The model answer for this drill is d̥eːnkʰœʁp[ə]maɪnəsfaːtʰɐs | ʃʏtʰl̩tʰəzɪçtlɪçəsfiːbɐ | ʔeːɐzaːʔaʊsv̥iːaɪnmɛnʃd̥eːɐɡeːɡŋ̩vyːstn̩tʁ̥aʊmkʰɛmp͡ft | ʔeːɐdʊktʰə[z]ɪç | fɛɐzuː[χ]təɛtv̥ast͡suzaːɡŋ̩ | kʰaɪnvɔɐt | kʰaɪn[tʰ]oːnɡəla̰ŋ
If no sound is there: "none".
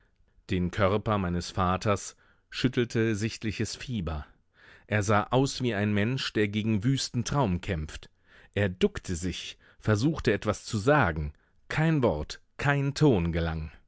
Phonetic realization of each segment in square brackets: ɐ, z, x, tʰ

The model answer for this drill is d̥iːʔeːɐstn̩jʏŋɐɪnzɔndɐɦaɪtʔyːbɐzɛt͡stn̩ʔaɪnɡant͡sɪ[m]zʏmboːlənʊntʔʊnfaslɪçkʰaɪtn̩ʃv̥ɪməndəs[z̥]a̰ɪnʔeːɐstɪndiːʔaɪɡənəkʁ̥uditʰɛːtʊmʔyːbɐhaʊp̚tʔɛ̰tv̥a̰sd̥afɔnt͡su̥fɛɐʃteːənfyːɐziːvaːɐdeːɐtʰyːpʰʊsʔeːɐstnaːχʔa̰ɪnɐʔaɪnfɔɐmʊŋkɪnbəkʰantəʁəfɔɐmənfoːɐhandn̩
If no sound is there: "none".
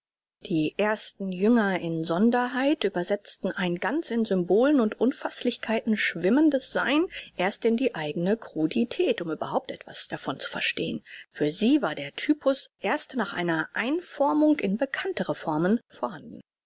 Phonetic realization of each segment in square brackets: n, z̥

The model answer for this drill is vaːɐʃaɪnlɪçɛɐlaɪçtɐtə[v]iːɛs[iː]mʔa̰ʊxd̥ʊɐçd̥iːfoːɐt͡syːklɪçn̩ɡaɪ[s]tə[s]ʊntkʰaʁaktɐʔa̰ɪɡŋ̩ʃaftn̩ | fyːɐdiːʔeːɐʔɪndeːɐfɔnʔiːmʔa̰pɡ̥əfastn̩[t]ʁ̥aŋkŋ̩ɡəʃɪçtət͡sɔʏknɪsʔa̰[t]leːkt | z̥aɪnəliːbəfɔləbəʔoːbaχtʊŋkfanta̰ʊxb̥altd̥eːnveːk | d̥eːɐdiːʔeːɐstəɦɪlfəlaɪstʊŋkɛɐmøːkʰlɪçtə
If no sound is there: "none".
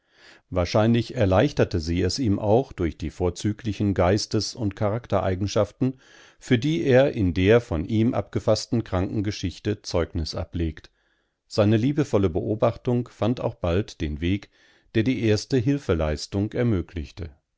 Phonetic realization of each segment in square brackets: z, iː, s, s, k, p

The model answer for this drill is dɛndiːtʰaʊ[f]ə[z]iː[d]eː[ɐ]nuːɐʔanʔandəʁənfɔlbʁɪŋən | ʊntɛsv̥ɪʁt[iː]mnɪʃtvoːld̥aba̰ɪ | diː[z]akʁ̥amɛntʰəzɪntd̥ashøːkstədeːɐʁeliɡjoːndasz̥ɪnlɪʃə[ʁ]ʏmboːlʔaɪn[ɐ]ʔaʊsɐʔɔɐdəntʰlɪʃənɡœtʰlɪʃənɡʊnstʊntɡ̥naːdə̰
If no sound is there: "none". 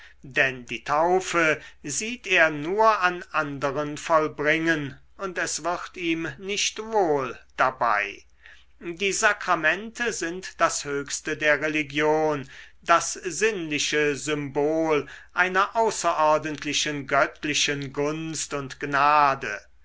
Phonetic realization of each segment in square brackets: f, z, t, ɐ, iː, z, z, ɐ

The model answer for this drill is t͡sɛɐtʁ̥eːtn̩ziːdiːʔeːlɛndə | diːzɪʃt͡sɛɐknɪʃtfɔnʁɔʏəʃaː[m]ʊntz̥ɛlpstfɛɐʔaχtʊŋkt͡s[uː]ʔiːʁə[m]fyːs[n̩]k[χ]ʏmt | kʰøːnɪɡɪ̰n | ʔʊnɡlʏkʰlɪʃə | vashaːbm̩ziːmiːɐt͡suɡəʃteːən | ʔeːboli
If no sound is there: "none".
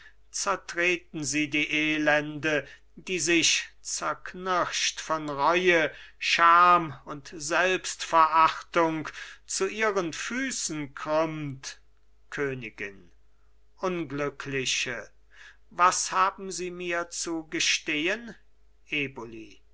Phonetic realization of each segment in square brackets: m, u, n, n̩, ʁ

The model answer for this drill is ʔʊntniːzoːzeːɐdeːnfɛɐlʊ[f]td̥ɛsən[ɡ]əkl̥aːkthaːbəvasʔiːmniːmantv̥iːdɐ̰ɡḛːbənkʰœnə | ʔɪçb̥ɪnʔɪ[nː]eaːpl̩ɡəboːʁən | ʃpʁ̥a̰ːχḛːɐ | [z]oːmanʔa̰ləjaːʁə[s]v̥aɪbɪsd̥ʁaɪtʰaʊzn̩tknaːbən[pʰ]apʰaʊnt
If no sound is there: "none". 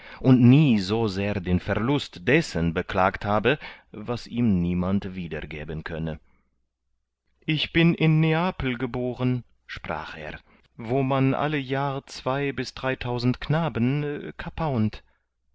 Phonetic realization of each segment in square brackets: s, b, nː, v, t͡s, kʰ

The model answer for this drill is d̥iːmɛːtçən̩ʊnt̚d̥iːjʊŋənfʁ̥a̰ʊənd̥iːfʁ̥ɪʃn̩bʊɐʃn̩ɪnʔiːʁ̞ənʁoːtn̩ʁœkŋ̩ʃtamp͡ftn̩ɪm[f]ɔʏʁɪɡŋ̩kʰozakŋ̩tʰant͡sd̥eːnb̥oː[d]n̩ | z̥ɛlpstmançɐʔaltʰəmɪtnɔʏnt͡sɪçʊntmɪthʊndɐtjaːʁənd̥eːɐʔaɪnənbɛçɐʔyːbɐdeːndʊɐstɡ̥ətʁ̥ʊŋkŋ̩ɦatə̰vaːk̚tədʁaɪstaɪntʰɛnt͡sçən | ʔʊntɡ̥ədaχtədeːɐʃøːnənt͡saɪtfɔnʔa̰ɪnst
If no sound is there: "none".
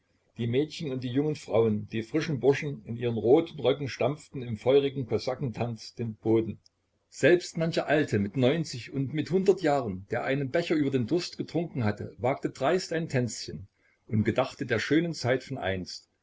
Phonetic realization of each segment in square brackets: f, d

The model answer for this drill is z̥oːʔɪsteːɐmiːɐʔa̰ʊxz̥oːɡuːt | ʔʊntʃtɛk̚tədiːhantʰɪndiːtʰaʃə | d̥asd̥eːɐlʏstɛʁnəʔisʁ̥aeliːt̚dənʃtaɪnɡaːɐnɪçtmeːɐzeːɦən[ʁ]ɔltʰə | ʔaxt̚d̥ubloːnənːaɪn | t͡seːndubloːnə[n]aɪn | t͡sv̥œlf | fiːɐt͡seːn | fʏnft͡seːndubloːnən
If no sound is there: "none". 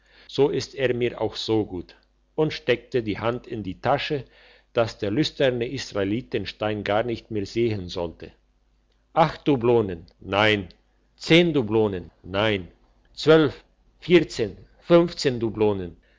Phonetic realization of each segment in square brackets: z, nː

